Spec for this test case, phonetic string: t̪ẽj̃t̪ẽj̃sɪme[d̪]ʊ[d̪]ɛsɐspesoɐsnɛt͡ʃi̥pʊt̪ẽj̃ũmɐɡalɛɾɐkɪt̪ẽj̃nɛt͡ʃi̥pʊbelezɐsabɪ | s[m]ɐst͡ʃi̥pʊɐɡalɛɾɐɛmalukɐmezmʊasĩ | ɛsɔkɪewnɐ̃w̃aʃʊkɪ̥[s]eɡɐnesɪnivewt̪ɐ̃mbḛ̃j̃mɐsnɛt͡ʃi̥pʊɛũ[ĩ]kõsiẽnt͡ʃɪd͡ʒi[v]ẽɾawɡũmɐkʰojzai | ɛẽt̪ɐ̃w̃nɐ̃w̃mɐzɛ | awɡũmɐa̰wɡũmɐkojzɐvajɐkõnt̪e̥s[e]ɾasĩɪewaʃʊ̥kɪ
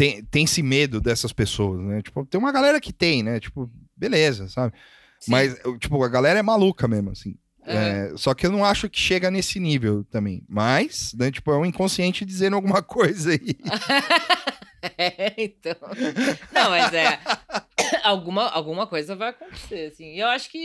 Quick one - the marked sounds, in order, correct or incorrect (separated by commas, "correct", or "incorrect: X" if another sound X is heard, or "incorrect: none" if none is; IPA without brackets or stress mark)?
correct, correct, correct, incorrect: ʃ, correct, incorrect: z, correct